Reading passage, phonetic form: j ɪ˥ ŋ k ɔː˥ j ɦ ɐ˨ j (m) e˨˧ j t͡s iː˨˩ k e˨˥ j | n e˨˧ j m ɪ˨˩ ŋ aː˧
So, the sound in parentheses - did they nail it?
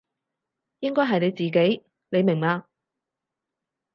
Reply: no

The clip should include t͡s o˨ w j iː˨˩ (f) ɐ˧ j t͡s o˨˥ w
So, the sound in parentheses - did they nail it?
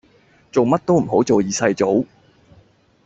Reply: no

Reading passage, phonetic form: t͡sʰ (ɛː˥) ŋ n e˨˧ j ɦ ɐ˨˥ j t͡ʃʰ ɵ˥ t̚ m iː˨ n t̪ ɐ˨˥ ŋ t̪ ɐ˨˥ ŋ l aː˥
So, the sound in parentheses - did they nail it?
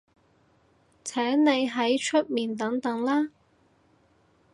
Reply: no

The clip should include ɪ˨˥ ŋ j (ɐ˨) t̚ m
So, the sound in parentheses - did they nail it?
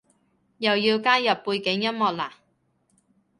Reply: no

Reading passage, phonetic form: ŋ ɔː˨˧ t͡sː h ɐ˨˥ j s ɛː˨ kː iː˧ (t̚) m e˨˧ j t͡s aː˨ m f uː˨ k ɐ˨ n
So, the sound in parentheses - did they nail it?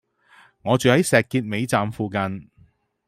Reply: yes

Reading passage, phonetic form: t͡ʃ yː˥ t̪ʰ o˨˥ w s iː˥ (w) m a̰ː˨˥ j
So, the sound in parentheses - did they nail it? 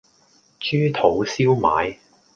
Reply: yes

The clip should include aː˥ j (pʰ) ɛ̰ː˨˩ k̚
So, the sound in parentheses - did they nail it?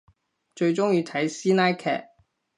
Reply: no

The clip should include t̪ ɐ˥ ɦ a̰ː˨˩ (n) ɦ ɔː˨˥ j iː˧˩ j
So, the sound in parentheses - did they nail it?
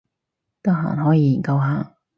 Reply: yes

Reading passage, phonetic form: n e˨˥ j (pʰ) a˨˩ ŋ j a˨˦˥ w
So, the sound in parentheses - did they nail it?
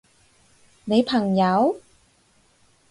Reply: yes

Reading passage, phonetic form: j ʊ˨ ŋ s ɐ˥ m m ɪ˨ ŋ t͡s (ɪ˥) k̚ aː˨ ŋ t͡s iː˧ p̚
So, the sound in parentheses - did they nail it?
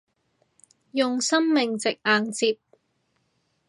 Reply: no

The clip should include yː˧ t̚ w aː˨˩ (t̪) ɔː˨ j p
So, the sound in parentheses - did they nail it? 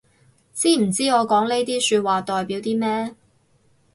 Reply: yes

